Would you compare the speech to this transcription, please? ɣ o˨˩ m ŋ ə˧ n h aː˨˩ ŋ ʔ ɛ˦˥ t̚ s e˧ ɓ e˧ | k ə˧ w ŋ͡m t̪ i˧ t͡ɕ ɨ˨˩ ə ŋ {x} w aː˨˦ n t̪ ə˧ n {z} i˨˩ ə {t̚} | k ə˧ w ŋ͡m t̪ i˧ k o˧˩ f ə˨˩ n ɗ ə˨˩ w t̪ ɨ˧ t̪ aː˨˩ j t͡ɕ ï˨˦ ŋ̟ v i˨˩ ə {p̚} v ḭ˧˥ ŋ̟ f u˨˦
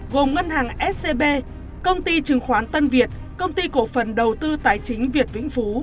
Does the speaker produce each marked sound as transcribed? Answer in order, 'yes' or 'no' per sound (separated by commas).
yes, no, yes, no